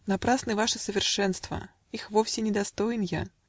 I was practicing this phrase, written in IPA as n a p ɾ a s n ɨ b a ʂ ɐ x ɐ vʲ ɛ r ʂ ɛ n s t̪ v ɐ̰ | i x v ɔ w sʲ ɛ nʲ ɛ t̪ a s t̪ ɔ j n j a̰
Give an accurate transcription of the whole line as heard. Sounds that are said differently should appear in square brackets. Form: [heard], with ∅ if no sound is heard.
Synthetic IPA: n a p ɾ a s n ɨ [v] a ʂ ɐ [s] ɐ vʲ ɛ r ʂ ɛ n s t̪ v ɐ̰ | i x v ɔ w sʲ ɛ nʲ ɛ [d̪] a s t̪ ɔ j n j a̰